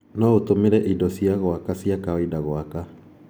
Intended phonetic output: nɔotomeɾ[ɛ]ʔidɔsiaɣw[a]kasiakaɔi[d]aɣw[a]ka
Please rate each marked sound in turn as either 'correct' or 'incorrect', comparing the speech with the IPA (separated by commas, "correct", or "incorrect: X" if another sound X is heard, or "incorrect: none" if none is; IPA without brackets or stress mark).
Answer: correct, correct, correct, correct